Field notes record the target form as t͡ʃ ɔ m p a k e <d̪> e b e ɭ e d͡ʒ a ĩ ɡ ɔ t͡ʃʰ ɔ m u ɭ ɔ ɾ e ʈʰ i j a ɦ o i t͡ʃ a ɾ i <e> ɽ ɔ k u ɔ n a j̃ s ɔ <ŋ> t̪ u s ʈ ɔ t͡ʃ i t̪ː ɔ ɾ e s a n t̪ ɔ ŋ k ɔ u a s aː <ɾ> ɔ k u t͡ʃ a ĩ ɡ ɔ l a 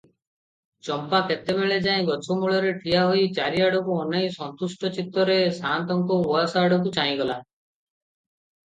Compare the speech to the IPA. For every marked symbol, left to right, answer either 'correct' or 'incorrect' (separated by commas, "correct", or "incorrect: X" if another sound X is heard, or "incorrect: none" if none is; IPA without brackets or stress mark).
incorrect: t̪, incorrect: a, incorrect: n, incorrect: ɽ